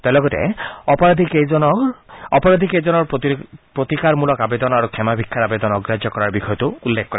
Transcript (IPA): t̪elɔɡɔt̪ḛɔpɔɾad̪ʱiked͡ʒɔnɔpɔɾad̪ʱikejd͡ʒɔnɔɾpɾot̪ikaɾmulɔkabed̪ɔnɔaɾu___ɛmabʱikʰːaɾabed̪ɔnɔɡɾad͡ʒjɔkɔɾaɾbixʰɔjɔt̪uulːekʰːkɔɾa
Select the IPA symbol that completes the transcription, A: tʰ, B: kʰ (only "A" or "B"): B